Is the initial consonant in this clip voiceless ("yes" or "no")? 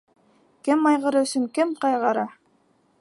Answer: yes